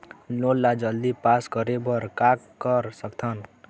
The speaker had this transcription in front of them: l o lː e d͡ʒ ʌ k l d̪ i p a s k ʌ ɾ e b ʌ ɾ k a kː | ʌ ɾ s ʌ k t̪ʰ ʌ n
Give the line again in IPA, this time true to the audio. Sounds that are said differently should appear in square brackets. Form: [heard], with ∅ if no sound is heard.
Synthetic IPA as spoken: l o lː [a] d͡ʒ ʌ [∅] l d̪ i p a s k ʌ ɾ e b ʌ ɾ k a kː | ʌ ɾ s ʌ k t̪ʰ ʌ n